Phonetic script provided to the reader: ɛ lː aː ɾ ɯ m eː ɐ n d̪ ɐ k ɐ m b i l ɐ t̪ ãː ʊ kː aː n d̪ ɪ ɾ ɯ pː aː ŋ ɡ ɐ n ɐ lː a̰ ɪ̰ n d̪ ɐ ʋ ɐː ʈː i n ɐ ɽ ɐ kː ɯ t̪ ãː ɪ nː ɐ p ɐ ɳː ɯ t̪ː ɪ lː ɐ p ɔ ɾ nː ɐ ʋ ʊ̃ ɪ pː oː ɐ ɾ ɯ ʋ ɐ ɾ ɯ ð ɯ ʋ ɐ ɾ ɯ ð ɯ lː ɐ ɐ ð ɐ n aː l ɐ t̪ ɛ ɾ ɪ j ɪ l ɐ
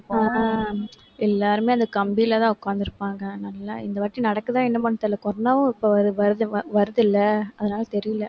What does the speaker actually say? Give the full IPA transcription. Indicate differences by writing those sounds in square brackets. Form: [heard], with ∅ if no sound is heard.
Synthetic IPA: ɛ lː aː ɾ ɯ m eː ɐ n d̪ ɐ k ɐ m b i l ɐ t̪ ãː ʊ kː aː n d̪ ɪ ɾ ɯ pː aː ŋ ɡ ɐ n ɐ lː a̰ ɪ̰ n d̪ ɐ ʋ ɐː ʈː i n ɐ ɽ ɐ kː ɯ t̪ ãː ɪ nː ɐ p ɐ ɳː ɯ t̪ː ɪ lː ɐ [k] ɔ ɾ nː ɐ ʋ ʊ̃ ɪ pː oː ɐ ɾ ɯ ʋ ɐ ɾ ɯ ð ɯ ʋ ɐ ɾ ɯ ð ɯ lː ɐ ɐ ð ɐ n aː l ɐ t̪ ɛ ɾ ɪ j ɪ l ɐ

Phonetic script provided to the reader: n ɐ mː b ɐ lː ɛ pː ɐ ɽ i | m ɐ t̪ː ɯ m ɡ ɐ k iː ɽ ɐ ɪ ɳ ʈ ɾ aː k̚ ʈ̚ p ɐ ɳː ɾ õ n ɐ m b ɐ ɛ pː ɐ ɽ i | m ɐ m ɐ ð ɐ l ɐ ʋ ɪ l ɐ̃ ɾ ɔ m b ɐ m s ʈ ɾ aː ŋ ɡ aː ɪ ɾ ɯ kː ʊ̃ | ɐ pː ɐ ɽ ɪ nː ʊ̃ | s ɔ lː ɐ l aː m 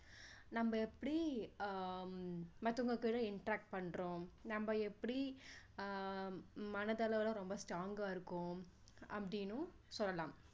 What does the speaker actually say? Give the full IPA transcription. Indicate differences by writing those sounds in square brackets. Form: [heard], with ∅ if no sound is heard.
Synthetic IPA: n ɐ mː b ɐ [∅] ɛ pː ɐ ɽ i | m ɐ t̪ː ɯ [ŋ] ɡ ɐ k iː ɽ ɐ ɪ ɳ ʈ ɾ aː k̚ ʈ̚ p ɐ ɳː ɾ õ n ɐ m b ɐ ɛ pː ɐ ɽ i | m ɐ [n] ɐ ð ɐ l ɐ ʋ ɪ l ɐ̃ ɾ ɔ m b ɐ [∅] s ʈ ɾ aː ŋ ɡ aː ɪ ɾ ɯ kː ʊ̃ | ɐ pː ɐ ɽ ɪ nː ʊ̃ | s ɔ lː ɐ l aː m

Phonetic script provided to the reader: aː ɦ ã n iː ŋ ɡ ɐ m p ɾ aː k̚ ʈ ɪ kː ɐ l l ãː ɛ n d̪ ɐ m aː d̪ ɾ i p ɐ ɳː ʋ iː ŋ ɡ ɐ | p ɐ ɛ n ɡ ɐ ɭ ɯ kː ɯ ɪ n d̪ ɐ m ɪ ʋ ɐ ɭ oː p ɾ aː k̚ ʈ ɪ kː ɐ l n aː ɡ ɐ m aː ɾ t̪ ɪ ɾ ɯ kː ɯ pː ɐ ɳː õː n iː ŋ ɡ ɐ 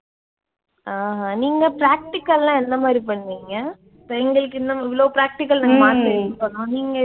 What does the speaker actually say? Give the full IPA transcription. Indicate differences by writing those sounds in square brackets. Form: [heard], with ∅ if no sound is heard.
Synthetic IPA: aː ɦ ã n iː ŋ ɡ ɐ [∅] p ɾ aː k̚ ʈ ɪ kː ɐ l l ãː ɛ n d̪ ɐ m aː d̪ ɾ i p ɐ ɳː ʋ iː ŋ ɡ ɐ | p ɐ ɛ [ŋ] ɡ ɐ ɭ ɯ kː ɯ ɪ n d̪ ɐ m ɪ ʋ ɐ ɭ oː p ɾ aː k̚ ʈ ɪ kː ɐ l n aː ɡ ɐ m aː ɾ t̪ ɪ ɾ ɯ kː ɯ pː ɐ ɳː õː n iː ŋ ɡ ɐ

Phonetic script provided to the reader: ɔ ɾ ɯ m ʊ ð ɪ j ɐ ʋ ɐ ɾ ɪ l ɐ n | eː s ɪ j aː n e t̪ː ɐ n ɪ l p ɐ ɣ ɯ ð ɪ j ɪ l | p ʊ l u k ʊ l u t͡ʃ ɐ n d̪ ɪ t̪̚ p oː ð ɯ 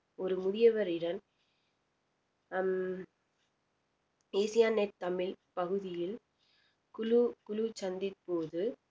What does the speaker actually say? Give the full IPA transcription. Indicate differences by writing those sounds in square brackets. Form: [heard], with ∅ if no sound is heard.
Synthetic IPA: ɔ ɾ ɯ m ʊ ð ɪ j ɐ ʋ ɐ ɾ ɪ [ɽ] ɐ n | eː s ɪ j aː n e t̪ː ɐ [m] ɪ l p ɐ ɣ ɯ ð ɪ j ɪ l | [k] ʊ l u k ʊ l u t͡ʃ ɐ n d̪ ɪ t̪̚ p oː ð ɯ

